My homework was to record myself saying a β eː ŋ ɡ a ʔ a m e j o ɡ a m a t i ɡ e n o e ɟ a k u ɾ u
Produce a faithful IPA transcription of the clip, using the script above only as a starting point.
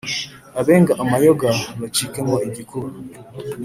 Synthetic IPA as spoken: a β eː ŋ ɡ a ʔ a m a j o ɡ a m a t͡ʃ i k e m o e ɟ i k u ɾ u